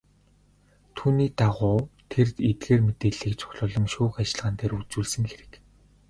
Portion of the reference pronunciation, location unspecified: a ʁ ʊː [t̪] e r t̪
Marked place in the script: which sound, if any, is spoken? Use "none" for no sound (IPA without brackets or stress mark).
t̪ʰ